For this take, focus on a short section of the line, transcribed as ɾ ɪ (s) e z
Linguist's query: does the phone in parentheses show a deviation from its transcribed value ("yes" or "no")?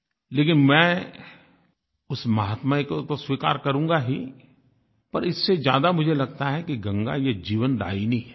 yes